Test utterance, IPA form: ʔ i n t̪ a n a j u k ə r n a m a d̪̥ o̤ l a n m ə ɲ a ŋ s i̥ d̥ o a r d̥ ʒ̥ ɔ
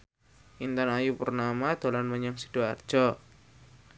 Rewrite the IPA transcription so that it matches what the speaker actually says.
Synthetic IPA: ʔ i n t̪ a n a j u p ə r n a m a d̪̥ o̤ l a n m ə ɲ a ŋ s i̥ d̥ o a r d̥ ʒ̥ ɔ

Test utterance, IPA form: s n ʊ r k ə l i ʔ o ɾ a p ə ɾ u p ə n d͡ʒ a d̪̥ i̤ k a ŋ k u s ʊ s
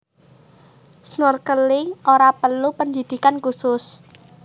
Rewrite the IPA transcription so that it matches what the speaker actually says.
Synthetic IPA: s n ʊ r k ə l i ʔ o ɾ a p ə l u p ə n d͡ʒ i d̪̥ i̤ k a n k u s ʊ s

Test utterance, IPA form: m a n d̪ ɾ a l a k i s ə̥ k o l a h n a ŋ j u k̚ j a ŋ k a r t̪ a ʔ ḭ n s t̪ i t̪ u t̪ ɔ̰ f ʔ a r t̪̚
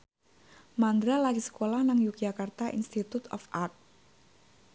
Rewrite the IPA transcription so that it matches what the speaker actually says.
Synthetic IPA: m a n d̪ ɾ a l a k i s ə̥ k o l a h n a ŋ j u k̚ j a k a r t̪ a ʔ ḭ n s t̪ i t̪ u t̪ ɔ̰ f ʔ a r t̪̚

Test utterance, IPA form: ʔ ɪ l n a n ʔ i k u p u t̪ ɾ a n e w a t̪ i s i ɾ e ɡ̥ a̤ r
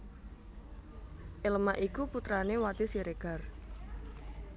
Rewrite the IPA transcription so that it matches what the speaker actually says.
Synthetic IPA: ʔ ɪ l m a ʔ i k u p u t̪ ɾ a n e w a t̪ i s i ɾ e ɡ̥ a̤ r

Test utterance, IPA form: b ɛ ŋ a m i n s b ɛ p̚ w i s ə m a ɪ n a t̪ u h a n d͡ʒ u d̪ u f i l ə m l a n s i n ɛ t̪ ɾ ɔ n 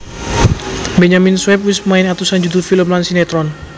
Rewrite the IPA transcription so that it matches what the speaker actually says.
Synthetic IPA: b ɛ ɲ a m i n s w ɛ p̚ w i s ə m a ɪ n a t̪ u s a n d͡ʒ u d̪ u f i l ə m l a n s i n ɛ t̪ ɾ ɔ n

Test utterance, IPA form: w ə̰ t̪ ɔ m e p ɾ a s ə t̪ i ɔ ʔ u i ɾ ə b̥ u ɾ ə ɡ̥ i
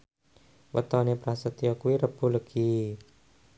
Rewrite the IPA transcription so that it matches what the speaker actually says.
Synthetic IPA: w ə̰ t̪ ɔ n e p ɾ a s ə t̪ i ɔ k u i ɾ ə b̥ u l ə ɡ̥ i

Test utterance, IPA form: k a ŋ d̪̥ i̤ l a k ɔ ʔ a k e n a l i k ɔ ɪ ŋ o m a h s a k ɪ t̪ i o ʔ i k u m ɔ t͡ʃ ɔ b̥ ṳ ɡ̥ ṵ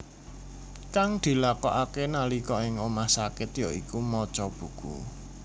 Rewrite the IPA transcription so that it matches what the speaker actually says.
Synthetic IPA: k a ŋ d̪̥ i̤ l a k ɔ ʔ a k e n a l i k ɔ ɪ ŋ o m a h s a k ɪ t̪ j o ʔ i k u m ɔ t͡ʃ ɔ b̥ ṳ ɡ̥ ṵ

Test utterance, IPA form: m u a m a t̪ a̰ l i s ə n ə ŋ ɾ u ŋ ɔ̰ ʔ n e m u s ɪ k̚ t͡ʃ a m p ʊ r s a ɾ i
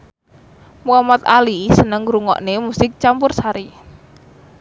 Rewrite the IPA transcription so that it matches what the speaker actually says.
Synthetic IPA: m u a m a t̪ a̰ l i s ə n ə ŋ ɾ u ŋ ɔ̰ ʔ n e m u s ɪ k̚ t͡ʃ a m p ʊ r s a ɾ i

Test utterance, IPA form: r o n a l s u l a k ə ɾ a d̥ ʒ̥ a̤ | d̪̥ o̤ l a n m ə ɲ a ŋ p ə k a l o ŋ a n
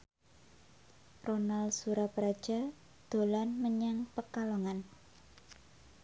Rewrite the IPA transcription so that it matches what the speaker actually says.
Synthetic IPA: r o n a l s u ɾ a p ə ɾ a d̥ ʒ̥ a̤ | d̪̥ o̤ l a n m ə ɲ a ŋ p ə k a l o ŋ a n

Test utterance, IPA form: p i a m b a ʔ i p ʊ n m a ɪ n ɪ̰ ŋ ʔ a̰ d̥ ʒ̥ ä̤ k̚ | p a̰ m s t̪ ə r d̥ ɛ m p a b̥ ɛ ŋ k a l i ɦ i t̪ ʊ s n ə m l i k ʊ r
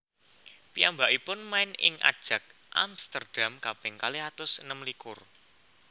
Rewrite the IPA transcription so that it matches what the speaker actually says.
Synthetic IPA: p i a m b a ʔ i p ʊ n m a ɪ n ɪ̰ ŋ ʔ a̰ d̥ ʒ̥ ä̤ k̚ | ʔ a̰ m s t̪ ə r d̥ a m k a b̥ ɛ ŋ k a l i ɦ a t̪ ʊ s n ə m l i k ʊ r

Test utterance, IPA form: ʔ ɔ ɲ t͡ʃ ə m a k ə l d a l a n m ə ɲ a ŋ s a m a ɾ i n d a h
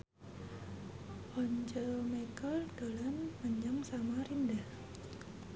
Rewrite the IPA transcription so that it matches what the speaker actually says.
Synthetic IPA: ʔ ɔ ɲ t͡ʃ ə m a k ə l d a l a n m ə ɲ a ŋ s a m a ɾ i n d a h

